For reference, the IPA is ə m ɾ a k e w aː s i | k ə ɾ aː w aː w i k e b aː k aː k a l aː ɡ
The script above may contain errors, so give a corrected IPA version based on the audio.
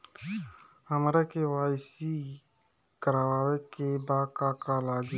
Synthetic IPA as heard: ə m ɾ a k e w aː s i | k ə ɾ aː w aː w e k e b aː k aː k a l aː ɡ